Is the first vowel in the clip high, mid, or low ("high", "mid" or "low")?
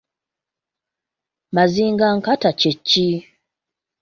low